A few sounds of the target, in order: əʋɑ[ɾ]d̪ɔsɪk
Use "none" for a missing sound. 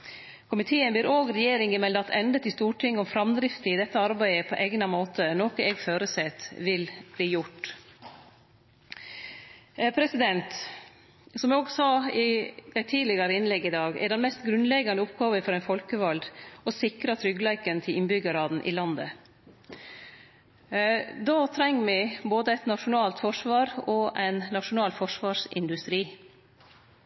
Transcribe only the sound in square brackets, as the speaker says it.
l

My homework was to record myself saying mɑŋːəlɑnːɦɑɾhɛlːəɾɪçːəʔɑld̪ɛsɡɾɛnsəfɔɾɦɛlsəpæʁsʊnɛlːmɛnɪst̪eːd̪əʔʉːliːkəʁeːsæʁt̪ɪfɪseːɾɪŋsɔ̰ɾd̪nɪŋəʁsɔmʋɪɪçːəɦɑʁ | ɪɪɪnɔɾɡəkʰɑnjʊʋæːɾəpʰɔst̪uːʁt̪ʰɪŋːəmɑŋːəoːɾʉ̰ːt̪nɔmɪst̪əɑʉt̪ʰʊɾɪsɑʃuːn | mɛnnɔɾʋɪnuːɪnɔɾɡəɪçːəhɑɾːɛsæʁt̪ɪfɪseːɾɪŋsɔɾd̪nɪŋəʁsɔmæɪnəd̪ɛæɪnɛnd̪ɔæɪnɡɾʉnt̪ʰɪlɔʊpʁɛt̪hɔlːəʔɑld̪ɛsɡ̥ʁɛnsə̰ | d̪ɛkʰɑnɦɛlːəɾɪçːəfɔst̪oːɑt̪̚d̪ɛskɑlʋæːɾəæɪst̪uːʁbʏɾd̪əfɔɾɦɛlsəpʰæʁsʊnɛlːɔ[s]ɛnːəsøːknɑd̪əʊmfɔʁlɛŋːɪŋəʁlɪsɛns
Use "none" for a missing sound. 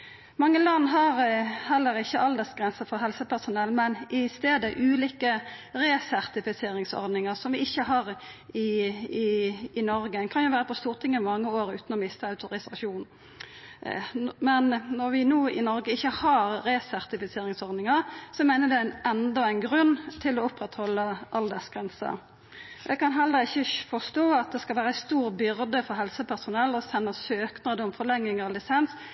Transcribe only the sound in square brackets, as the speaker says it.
s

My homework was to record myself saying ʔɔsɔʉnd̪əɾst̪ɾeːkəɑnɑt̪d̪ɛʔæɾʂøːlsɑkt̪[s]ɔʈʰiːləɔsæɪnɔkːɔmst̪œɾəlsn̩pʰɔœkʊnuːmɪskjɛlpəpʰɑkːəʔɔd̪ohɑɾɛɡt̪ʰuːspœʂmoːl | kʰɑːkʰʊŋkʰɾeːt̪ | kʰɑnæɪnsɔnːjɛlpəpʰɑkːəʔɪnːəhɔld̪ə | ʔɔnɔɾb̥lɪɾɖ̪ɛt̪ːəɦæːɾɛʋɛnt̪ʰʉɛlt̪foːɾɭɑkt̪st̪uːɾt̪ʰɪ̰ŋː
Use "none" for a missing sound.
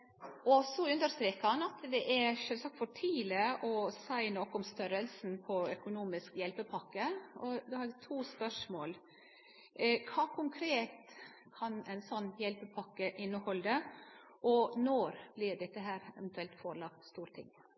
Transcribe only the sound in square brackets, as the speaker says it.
f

